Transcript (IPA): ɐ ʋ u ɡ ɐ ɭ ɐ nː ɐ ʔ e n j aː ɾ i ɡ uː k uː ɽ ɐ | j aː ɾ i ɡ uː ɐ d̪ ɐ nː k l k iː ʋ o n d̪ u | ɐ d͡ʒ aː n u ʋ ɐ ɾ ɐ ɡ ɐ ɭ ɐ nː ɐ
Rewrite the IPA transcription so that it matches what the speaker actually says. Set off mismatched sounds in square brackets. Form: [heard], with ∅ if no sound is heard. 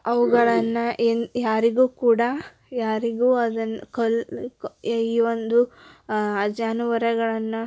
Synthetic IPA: ɐ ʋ u ɡ ɐ ɭ ɐ nː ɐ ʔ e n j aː ɾ i ɡ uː k uː ɽ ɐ | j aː ɾ i ɡ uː ɐ d̪ ɐ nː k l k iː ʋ o n d̪ u | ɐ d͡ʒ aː n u ʋ ɐ ɾ ɐ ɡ ɐ ɭ ɐ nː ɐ